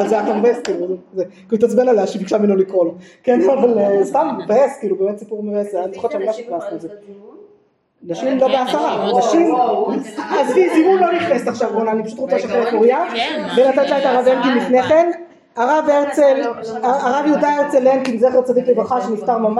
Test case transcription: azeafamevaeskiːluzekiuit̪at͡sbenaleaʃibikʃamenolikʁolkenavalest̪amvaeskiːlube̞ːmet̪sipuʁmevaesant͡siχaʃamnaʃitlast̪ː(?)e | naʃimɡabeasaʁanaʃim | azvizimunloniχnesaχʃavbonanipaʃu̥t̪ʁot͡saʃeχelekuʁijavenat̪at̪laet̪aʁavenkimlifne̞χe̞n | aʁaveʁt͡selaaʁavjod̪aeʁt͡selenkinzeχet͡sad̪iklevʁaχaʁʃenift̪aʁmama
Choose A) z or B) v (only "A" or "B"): A